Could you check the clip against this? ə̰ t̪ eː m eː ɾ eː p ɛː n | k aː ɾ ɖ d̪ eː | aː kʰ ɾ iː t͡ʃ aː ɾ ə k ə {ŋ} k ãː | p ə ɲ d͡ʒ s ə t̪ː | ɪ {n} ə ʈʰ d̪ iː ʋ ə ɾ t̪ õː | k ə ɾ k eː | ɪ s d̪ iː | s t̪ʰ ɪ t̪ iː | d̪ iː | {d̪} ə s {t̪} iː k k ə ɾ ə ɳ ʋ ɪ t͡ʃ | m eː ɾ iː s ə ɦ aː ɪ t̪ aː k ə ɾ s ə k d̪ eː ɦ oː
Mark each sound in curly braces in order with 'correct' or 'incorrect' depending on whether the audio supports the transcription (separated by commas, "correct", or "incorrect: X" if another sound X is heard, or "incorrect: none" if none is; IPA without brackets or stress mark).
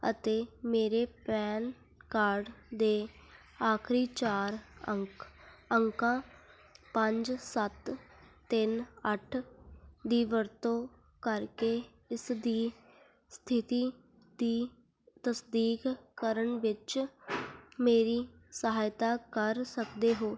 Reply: correct, correct, incorrect: t̪, incorrect: d̪